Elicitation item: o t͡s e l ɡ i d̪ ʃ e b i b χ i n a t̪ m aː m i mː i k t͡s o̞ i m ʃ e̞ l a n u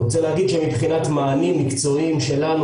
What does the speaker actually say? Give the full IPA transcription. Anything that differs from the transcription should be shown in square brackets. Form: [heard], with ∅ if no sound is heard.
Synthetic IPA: o t͡s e l ɡ i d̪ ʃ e [m] i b χ i n a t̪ m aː [n] i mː i k t͡s o̞ i m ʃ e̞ l a n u